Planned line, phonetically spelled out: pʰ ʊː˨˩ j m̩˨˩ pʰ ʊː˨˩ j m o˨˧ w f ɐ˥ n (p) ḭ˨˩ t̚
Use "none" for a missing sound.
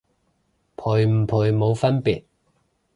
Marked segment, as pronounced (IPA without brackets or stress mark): p